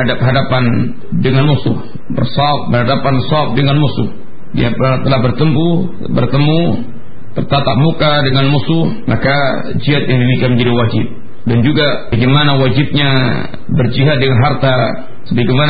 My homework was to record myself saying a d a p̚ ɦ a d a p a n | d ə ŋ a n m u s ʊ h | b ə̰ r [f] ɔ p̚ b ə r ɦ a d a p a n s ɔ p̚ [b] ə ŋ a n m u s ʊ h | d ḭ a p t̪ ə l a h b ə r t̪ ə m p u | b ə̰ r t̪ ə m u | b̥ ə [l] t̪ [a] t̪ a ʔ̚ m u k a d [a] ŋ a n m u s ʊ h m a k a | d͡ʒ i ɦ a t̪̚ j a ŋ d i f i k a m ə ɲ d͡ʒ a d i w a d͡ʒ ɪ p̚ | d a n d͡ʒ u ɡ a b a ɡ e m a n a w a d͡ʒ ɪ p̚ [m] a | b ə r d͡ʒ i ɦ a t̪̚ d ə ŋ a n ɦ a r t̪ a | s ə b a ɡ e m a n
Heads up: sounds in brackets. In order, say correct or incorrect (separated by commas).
incorrect, incorrect, incorrect, correct, incorrect, incorrect